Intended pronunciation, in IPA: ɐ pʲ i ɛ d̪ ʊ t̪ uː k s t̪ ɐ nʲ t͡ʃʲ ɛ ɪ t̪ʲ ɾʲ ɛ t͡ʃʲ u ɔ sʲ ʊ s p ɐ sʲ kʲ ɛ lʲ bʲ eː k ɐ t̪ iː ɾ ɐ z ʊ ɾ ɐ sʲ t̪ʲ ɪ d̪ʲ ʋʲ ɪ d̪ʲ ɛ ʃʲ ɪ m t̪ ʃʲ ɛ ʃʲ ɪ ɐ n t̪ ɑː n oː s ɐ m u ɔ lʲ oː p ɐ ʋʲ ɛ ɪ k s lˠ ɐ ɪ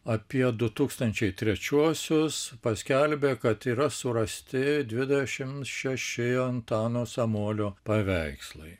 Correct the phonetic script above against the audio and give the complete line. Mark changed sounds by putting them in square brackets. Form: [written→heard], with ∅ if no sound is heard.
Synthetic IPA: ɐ pʲ i ɛ d̪ ʊ t̪ uː k s t̪ ɐ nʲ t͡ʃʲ ɛ ɪ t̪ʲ ɾʲ ɛ t͡ʃʲ u ɔ sʲ ʊ s p ɐ sʲ kʲ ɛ lʲ bʲ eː k ɐ t̪ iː ɾ ɐ [z→s] ʊ ɾ ɐ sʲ t̪ʲ ɪ d̪ʲ ʋʲ ɪ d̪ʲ ɛ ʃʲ ɪ m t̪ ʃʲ ɛ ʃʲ ɪ ɐ n t̪ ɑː n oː s ɐ m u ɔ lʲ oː p ɐ ʋʲ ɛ ɪ k s lˠ ɐ ɪ